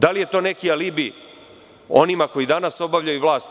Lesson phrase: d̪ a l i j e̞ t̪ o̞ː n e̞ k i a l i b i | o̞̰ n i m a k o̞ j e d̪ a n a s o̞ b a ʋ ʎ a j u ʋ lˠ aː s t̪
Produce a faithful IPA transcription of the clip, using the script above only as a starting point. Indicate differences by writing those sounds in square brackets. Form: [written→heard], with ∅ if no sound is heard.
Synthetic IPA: d̪ a l i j e̞ t̪ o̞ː n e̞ k i a l i b i | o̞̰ n i m a k o̞ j [e→i] d̪ a n a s o̞ b a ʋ ʎ a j u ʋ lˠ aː s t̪